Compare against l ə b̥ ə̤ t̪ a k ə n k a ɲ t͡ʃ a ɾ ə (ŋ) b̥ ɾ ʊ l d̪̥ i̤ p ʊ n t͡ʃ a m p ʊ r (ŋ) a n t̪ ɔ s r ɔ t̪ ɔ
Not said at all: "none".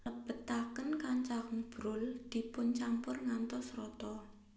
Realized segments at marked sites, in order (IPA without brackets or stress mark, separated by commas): ŋ, ŋ